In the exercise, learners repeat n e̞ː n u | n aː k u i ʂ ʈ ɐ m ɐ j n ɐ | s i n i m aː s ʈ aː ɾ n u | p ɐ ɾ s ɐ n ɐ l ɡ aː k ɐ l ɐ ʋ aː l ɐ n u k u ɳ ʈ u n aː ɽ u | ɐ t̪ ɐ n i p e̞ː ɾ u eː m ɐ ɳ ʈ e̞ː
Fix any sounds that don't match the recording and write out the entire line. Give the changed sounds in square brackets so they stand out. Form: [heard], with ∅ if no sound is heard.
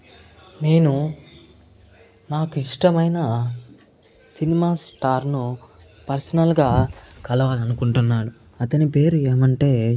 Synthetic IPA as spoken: n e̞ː n u | n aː k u i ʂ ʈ ɐ m ɐ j n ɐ | s i n i m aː s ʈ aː ɾ n u | p ɐ ɾ s ɐ n ɐ l ɡ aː k ɐ l ɐ ʋ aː l ɐ n u k u ɳ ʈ u [nː] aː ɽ u | ɐ t̪ ɐ n i p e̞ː ɾ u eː m ɐ ɳ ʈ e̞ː